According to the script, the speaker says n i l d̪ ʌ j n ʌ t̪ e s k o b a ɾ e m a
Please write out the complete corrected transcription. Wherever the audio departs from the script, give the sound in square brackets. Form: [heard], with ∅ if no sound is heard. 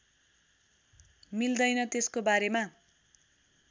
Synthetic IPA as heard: [m] i l d̪ ʌ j n ʌ t̪ e s k o b a ɾ e m a